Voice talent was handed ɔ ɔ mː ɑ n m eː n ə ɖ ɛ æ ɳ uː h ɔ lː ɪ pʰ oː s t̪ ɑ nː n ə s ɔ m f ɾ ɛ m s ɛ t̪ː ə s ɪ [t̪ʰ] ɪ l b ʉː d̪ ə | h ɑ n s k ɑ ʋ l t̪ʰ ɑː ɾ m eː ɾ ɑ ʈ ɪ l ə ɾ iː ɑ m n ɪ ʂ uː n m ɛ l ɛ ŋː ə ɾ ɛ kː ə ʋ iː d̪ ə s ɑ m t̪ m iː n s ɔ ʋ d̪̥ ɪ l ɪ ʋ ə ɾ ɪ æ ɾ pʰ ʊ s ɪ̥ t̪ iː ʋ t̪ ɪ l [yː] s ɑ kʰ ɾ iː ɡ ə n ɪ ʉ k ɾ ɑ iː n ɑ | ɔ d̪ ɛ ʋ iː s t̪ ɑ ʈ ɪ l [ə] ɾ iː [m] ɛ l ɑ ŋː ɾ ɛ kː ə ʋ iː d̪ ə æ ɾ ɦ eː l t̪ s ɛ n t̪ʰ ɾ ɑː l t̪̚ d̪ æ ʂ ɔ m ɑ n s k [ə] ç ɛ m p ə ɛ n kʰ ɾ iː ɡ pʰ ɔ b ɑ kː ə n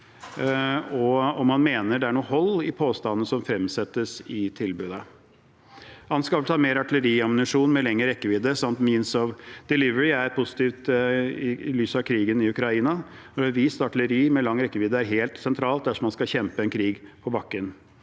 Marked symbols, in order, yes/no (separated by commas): yes, yes, yes, yes, no